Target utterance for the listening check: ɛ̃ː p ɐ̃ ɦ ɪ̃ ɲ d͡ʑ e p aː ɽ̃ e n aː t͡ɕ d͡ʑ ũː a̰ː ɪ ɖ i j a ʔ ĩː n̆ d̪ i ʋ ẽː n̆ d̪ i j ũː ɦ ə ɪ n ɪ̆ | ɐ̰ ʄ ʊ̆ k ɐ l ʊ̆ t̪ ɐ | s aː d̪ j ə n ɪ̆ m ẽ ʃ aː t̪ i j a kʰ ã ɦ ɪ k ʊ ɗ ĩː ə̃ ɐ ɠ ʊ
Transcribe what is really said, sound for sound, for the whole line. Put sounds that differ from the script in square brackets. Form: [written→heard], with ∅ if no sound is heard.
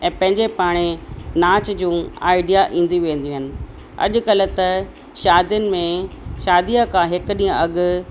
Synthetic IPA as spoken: ɛ̃ː p ɐ̃ ɦ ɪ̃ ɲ d͡ʑ e p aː ɽ̃ e n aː t͡ɕ d͡ʑ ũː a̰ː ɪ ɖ i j a ʔ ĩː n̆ d̪ i ʋ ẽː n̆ d̪ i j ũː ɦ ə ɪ n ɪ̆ | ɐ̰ ʄ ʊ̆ k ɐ l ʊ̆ t̪ ɐ | [s→ʃ] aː d̪ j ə n ɪ̆ m ẽ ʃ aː [t̪→d̪] i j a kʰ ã ɦ ɪ k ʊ ɗ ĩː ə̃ ɐ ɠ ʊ